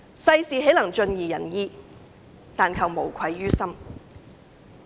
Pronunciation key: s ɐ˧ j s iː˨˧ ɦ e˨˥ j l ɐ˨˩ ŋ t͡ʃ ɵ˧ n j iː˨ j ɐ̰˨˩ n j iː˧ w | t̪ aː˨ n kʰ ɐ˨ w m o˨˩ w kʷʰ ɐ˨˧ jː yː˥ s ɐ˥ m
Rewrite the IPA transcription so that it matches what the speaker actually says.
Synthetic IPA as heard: s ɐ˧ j s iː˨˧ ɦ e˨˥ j l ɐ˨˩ ŋ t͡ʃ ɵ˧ n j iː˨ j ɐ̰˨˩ n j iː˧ | t̪ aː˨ n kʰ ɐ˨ w m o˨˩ w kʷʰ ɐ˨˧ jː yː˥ s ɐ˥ m

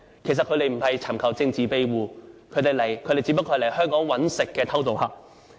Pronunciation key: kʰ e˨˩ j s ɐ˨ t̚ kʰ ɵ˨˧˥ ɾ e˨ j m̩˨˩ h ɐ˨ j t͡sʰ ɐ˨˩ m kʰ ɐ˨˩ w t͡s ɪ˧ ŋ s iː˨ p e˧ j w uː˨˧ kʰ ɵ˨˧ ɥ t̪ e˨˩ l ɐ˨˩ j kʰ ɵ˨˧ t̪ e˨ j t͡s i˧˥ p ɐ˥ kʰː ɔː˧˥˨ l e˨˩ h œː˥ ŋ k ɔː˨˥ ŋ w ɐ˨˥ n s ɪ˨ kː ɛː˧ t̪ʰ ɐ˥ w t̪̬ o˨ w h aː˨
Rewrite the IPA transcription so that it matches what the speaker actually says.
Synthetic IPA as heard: kʰ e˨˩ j s ɐ˨ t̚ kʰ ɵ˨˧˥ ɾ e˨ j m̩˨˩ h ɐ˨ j t͡sʰ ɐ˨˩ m kʰ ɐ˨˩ w t͡s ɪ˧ ŋ t͡s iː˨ p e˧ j w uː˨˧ kʰ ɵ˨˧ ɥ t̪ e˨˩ l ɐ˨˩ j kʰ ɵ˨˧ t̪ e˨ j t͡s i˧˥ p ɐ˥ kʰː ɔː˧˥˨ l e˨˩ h œː˥ ŋ k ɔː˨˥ ŋ w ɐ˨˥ n s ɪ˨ kː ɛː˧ t̪ʰ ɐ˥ w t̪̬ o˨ w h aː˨

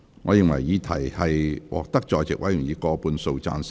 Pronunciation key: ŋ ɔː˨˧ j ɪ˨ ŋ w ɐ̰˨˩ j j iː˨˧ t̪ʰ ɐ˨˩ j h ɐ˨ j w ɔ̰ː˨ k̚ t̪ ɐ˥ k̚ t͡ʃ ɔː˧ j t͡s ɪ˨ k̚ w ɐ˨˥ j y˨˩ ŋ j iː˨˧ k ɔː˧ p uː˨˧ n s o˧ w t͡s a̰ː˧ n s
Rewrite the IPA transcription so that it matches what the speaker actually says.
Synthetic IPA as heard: ŋ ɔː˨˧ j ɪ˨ ŋ w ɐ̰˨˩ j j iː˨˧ t̪ʰ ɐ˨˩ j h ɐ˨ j w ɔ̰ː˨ k̚ t̪ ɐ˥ k̚ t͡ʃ ɔː˧ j t͡s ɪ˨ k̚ w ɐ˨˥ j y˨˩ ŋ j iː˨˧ k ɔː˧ p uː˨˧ n s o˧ w t͡s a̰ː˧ n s

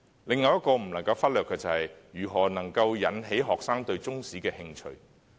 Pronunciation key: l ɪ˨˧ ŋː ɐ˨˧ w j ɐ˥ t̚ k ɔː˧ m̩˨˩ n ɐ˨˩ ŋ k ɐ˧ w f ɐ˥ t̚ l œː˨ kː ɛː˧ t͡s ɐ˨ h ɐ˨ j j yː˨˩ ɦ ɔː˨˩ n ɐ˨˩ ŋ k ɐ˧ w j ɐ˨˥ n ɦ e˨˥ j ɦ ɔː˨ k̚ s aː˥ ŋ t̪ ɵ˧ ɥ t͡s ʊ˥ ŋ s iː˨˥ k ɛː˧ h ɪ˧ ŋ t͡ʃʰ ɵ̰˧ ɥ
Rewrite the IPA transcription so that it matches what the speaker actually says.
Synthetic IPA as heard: l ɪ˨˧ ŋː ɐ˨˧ w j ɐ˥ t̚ k ɔː˧ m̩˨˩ n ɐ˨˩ ŋ k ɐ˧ w f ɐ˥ t̚ l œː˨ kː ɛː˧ t͡s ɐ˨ h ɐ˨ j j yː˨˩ ɦ ɔː˨˩ n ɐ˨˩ ŋ k ɐ˧ w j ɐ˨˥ n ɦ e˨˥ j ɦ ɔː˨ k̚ s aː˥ ŋ t̪ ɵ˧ ɥ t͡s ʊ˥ ŋ s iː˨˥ k ɛː˧ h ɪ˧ ŋ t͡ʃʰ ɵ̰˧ ɥ

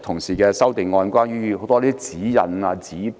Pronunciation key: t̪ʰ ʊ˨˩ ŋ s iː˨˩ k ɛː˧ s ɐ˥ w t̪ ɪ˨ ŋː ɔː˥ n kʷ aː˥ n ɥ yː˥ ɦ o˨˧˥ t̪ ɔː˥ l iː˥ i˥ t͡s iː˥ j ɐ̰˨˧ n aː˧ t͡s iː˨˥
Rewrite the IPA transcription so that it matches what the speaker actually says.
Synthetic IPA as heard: t̪ʰ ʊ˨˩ ŋ s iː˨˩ k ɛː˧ s ɐ˥ w t̪ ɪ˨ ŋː ɔː˧ n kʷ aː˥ n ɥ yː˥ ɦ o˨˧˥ t̪ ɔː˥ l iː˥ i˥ t͡s iː˨˥ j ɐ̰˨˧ n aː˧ t͡s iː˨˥

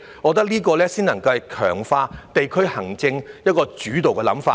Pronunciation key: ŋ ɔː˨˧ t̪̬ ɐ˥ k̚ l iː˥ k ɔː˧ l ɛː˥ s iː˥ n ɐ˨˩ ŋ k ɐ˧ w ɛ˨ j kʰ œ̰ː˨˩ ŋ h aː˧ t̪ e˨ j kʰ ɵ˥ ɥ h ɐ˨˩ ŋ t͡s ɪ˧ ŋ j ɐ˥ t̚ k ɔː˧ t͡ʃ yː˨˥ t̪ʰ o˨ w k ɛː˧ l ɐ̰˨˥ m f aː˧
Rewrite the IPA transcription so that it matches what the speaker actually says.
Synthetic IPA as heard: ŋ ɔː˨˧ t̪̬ ɐ˥ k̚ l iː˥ k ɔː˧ l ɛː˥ s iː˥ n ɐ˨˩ ŋ k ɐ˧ w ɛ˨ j kʰ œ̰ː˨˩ ŋ f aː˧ t̪ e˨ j kʰ ɵ˥ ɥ h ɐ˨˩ ŋ t͡s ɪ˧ ŋ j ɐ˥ t̚ k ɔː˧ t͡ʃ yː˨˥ t̪ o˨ w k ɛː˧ l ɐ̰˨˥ m f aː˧

